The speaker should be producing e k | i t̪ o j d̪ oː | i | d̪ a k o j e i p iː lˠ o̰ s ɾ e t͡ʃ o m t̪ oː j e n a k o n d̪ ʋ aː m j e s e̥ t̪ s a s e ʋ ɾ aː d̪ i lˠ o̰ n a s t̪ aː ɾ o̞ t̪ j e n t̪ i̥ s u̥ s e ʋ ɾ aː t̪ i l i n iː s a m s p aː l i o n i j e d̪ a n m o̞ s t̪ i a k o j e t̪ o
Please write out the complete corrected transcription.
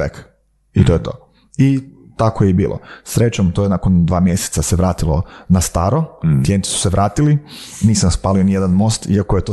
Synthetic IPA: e k | i t̪ o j t̪ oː | i | t̪ a k o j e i b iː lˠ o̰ s ɾ e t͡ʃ o m t̪ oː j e n a k o n d̪ ʋ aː m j e s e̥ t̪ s a s e ʋ ɾ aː t̪ i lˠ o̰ n a s t̪ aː ɾ o̞ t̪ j e n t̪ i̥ s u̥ s e ʋ ɾ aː t̪ i l i n iː s a m s p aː l i o n i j e d̪ a n m o̞ s t̪ i a k o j e t̪ o